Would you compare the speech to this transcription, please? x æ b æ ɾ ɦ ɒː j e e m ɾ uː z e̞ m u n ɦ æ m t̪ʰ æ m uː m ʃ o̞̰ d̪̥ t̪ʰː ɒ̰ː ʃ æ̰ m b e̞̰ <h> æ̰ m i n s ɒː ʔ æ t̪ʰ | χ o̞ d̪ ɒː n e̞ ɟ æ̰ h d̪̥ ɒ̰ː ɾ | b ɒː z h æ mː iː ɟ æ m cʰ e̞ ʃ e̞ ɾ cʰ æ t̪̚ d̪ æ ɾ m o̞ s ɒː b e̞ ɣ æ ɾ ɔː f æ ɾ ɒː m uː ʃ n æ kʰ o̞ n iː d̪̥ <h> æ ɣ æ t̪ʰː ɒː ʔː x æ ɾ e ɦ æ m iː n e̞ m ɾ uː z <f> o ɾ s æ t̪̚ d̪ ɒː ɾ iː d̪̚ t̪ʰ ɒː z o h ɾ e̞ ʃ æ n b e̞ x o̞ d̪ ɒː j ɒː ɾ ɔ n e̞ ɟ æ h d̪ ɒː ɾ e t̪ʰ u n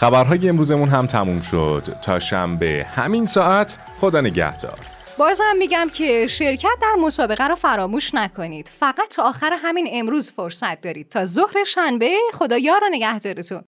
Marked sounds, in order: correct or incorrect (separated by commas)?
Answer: correct, incorrect, correct